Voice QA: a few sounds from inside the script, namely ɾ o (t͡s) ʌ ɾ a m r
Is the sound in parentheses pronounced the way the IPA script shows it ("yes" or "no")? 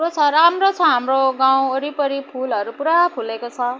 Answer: no